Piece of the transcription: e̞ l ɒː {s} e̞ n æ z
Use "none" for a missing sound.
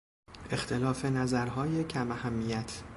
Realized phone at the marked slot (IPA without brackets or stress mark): f